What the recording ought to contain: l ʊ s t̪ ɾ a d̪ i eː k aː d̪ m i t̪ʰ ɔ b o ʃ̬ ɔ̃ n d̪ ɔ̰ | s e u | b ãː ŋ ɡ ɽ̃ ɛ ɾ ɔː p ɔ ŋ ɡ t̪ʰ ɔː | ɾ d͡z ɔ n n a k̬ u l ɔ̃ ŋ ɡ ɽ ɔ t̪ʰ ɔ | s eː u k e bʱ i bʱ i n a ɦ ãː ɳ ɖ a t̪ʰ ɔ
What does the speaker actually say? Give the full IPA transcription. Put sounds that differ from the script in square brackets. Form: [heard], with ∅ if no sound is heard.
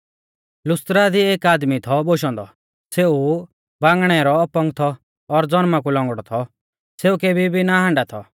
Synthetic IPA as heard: l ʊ s t̪ ɾ a d̪ i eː k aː d̪ m i t̪ʰ ɔ b o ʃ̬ ɔ̃ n d̪ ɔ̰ | s e u | b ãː ŋ ɡ ɽ̃ ɛ ɾ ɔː p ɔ ŋ ɡ t̪ʰ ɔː | ɾ d͡z ɔ n [m] a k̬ u l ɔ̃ ŋ ɡ ɽ ɔ t̪ʰ ɔ | s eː u k e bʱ i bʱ i n a ɦ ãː ɳ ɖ a t̪ʰ ɔ

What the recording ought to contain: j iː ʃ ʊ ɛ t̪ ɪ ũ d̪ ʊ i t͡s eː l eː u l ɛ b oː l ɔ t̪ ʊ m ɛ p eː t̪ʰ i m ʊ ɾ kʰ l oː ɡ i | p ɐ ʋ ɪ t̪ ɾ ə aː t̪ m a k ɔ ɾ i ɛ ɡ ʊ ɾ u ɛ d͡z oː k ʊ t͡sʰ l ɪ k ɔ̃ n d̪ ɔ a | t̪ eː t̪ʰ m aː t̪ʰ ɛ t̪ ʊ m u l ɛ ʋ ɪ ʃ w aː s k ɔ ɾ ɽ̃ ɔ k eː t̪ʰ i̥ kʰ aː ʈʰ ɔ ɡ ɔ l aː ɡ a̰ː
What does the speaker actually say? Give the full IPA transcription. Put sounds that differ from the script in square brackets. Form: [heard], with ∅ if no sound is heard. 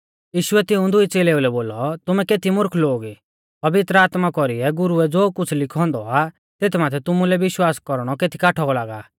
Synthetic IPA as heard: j iː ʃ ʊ ɛ t̪ ɪ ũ d̪ ʊ i t͡s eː l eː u l ɛ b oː l ɔ t̪ ʊ m ɛ [k] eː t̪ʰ i m ʊ ɾ kʰ l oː ɡ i | p ɐ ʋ ɪ t̪ ɾ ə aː t̪ m a k ɔ ɾ i ɛ ɡ ʊ ɾ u ɛ d͡z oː k ʊ t͡sʰ l ɪ [kʰ] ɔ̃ n d̪ ɔ a | t̪ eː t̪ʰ m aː t̪ʰ ɛ t̪ ʊ m u l ɛ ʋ ɪ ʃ w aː s k ɔ ɾ ɽ̃ ɔ k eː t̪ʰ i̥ [k] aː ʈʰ ɔ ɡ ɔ l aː ɡ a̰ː

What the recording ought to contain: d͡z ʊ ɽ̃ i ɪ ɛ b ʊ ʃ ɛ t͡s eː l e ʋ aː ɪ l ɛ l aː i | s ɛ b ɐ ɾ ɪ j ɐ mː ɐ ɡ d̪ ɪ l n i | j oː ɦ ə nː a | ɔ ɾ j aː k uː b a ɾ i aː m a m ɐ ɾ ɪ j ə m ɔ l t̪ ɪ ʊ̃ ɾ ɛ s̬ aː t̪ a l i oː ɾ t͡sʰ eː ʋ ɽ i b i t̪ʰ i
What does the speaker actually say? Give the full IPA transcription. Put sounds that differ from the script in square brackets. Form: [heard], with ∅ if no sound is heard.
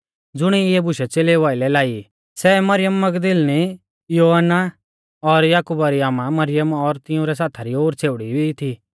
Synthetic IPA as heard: d͡z ʊ ɽ̃ i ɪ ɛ b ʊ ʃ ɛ t͡s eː l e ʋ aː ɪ l ɛ l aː i | s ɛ [m] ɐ ɾ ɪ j [ə] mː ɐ ɡ d̪ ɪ l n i | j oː ɦ ə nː a | ɔ ɾ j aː k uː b a ɾ i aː m a m ɐ ɾ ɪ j ə m ɔ [ɾ] t̪ ɪ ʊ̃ ɾ ɛ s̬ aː [t̪ʰ] a [ɾ] i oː ɾ t͡sʰ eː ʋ ɽ i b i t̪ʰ i

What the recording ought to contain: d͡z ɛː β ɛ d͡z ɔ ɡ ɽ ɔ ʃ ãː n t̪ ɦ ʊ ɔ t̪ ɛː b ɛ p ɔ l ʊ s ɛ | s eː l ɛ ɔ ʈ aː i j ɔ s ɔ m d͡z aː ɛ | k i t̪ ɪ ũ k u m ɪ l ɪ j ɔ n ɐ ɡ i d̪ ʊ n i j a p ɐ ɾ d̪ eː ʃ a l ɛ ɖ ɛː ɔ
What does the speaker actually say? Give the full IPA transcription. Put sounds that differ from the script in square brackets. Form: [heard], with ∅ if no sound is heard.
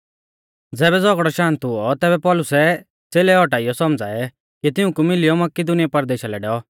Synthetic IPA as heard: d͡z ɛː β ɛ d͡z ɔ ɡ ɽ ɔ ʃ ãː n t̪ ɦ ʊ ɔ t̪ ɛː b ɛ p ɔ l ʊ s ɛ | [t͡s] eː l ɛ ɔ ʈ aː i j ɔ s ɔ m d͡z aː ɛ | k i t̪ ɪ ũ k u m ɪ l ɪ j ɔ [m] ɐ [k] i d̪ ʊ n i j a p ɐ ɾ d̪ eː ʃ a l ɛ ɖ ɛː ɔ

